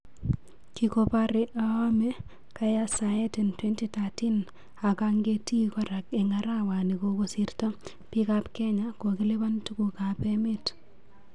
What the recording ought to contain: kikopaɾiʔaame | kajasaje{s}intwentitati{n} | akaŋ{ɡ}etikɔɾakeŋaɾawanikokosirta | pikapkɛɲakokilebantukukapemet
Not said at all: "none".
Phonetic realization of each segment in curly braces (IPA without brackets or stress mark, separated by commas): t, n, ɡ